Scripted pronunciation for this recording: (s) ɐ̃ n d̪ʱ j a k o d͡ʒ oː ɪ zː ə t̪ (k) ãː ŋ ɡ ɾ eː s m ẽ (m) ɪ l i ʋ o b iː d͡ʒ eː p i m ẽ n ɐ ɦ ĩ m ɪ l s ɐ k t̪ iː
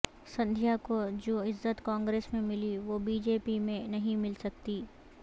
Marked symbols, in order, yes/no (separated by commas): yes, yes, yes